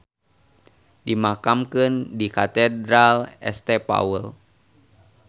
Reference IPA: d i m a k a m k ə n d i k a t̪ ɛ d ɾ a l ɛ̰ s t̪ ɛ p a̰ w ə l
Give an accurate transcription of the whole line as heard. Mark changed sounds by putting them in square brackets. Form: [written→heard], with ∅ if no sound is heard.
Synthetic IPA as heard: d i m a k a m k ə n d i k a t̪ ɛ d ɾ a l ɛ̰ s t̪ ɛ p a̰ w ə l